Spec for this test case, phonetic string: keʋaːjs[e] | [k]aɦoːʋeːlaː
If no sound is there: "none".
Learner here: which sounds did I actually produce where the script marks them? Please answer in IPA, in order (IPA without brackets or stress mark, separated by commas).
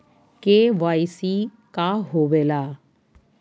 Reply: i, k